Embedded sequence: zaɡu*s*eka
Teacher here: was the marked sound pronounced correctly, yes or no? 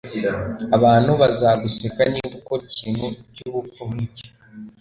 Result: yes